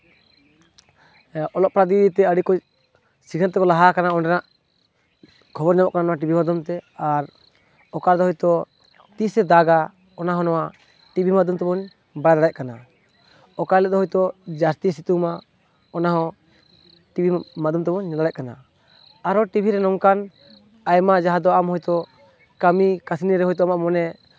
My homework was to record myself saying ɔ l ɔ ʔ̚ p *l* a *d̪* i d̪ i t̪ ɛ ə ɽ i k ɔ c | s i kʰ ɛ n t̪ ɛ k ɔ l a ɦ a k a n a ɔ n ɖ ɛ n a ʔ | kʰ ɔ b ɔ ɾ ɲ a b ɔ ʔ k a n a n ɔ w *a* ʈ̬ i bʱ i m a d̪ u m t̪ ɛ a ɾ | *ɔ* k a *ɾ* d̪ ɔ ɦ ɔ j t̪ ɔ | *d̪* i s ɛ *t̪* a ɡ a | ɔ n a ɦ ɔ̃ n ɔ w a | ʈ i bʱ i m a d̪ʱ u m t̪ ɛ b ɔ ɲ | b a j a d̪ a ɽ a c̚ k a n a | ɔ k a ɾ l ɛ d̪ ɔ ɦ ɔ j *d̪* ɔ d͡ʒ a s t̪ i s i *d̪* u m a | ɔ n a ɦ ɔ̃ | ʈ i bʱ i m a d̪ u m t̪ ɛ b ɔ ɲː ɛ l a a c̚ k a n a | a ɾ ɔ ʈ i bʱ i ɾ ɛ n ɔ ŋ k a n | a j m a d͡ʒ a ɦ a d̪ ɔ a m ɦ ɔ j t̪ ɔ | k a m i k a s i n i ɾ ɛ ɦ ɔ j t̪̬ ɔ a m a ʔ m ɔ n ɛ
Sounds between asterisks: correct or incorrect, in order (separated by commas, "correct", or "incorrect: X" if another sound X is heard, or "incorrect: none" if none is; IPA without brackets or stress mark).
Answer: incorrect: ɾ, correct, correct, correct, correct, incorrect: t̪, incorrect: d̪, incorrect: t̪, incorrect: t̪